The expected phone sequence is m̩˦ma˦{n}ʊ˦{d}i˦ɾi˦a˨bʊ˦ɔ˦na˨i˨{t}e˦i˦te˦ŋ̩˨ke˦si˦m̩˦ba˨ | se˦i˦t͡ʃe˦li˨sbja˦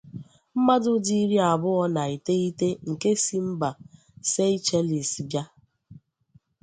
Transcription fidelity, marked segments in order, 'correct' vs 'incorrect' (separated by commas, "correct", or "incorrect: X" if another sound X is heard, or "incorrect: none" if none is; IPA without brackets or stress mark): incorrect: d, correct, correct